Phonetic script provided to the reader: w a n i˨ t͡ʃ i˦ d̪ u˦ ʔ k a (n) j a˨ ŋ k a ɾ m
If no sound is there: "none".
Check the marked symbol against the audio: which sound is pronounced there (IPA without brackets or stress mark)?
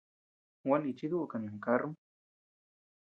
n